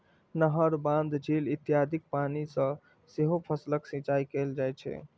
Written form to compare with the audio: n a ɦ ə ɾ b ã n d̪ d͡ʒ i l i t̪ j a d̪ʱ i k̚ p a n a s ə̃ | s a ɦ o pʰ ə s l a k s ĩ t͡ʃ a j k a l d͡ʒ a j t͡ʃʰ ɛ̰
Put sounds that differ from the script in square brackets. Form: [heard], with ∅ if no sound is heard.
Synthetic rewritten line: n [ə] ɦ ə ɾ b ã n d̪ d͡ʒ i l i t̪ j a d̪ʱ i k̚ p a n [i] s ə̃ | s [e] ɦ o pʰ ə s l [ə] k s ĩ t͡ʃ a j k [e] l d͡ʒ a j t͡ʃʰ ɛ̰